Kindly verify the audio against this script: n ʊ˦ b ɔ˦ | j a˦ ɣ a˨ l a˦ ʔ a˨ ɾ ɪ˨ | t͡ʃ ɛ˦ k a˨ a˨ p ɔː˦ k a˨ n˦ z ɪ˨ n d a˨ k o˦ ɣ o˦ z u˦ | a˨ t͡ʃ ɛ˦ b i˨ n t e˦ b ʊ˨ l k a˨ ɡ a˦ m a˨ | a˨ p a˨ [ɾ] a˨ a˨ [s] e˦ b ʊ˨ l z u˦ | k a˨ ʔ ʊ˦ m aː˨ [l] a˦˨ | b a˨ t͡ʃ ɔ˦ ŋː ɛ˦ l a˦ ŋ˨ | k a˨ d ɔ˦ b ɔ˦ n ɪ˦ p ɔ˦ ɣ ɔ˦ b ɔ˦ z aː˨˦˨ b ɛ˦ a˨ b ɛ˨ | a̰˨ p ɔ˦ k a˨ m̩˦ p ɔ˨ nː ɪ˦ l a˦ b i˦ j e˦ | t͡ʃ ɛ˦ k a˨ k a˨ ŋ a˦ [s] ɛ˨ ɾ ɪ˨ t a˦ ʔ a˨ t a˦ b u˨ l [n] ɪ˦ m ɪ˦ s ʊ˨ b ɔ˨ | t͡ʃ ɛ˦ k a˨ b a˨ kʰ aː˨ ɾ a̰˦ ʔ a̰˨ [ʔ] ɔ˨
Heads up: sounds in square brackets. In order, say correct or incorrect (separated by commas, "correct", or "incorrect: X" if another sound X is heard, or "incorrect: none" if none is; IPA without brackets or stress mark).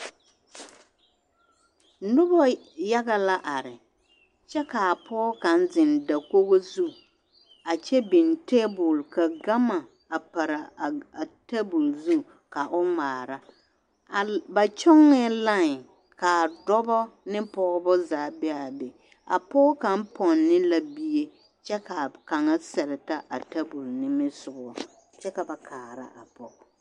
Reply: correct, incorrect: t, incorrect: ɾ, correct, correct, incorrect: p